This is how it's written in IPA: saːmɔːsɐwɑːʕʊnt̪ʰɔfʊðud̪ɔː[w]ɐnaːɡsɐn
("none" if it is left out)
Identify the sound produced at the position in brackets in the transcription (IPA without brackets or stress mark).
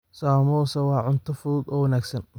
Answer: w